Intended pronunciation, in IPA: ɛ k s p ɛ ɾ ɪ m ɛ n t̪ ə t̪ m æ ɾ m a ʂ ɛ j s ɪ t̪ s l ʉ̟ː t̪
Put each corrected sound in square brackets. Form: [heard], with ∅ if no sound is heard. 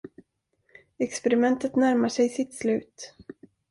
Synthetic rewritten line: ɛ k s p ɛ ɾ ɪ m ɛ n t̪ ə t̪ [n] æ ɾ m a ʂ ɛ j s ɪ t̪ s l ʉ̟ː t̪